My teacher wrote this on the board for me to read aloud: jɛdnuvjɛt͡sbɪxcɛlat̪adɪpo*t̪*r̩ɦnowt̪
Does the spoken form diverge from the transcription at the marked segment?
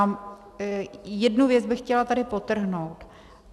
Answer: no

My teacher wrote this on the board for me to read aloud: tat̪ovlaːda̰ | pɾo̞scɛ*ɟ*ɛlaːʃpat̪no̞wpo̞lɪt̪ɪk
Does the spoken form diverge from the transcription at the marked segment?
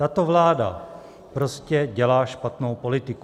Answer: no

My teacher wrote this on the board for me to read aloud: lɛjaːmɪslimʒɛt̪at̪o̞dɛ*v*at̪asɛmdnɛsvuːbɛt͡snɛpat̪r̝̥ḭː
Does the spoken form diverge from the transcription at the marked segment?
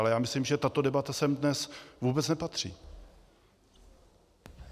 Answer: yes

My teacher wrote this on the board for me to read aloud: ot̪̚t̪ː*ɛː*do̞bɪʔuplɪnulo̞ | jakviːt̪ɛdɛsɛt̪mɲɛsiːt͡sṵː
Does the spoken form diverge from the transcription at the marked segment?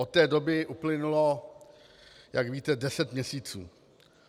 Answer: no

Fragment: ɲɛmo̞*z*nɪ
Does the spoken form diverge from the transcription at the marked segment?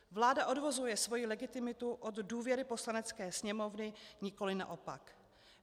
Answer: yes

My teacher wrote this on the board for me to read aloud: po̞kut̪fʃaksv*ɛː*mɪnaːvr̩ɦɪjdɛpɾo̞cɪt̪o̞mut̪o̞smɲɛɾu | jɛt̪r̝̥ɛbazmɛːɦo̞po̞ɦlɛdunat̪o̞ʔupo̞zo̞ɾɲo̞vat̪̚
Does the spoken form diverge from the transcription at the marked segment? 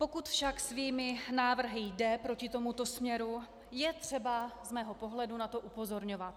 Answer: yes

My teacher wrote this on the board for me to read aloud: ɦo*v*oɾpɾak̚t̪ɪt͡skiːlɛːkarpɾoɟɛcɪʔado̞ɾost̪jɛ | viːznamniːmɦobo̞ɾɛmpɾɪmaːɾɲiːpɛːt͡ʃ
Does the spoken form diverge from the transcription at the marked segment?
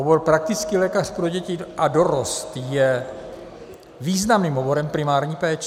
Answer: yes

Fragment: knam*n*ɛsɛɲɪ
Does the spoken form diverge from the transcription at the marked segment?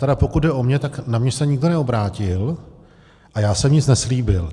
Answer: yes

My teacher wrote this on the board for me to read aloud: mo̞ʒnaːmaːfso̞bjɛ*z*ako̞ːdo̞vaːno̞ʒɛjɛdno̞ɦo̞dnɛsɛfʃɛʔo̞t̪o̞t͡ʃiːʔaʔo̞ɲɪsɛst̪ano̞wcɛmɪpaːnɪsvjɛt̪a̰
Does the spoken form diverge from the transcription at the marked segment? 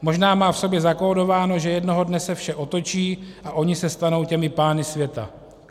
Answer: no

